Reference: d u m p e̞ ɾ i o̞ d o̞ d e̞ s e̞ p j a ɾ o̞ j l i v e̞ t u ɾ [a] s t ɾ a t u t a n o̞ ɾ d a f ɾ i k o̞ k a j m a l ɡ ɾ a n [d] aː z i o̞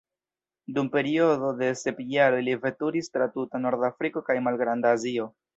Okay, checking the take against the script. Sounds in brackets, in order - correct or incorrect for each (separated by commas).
incorrect, correct